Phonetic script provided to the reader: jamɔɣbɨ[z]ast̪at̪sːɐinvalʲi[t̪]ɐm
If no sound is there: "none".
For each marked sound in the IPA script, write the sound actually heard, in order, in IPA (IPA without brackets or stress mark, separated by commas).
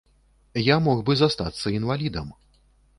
z, d̪